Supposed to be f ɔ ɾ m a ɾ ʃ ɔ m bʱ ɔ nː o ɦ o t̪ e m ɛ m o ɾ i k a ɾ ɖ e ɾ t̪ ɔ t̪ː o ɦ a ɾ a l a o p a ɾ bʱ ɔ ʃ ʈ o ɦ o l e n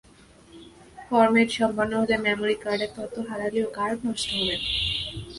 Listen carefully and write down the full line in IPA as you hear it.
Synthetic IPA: f ɔ ɾ m e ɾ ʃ ɔ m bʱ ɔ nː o ɦ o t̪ e m ɛ m o ɾ i k a ɾ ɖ e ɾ t̪ ɔ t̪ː o ɦ a ɾ a l i o k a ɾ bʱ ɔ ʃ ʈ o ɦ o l e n

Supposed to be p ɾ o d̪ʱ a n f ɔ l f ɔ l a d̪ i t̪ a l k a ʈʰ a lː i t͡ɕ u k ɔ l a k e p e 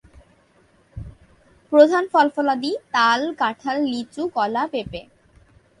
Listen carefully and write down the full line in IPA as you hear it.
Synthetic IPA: p ɾ o d̪ʱ a n f ɔ l f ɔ l a d̪ i t̪ a l k a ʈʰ a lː i t͡ɕ u k ɔ l a p e p e

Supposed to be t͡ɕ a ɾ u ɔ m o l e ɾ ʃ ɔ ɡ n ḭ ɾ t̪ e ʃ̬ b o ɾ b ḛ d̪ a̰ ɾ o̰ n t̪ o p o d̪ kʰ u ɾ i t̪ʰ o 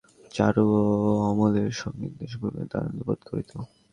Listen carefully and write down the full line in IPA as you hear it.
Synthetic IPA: t͡ɕ a ɾ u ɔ m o l e ɾ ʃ ɔ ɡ n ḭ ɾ d̪ e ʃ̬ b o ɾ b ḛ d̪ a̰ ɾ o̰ n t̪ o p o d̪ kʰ o ɾ i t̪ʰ o

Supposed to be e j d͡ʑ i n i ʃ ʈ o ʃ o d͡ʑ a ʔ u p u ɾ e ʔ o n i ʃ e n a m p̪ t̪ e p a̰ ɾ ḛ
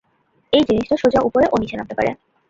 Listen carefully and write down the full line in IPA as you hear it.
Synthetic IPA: e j d͡ʑ i n i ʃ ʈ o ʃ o d͡ʑ a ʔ u p o ɾ e ʔ o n i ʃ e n a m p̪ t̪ e p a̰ ɾ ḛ

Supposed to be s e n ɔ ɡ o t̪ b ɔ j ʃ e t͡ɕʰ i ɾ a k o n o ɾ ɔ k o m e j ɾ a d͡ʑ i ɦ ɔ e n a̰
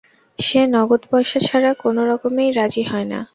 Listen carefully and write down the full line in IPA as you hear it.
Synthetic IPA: ʃ e n ɔ ɡ o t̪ b ɔ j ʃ a t͡ɕʰ a ɾ a k o n o ɾ ɔ k o m e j ɾ a d͡ʑ i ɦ ɔ e n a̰

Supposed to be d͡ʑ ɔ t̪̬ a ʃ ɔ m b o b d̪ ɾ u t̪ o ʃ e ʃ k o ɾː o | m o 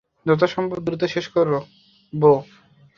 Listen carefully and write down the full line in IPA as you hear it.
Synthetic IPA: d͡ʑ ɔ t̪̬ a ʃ ɔ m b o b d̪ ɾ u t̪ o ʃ e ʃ k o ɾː o | b o

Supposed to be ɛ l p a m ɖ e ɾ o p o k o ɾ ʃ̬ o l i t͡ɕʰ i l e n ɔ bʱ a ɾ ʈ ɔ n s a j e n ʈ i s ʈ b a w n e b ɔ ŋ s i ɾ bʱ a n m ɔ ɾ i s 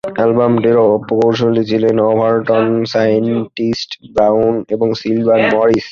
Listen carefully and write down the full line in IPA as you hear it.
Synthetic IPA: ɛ l b a m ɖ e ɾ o p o k o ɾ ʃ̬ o l i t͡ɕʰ i l e n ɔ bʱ a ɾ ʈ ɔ n s a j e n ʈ i s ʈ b a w n e b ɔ ŋ s i l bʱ a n m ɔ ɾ i s

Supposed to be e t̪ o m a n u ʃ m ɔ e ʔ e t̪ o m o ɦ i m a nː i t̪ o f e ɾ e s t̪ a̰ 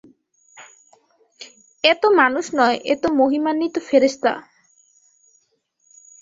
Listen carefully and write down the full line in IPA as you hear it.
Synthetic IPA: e t̪ o m a n u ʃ n ɔ e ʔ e t̪ o m o ɦ i m a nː i t̪ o f e ɾ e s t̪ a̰

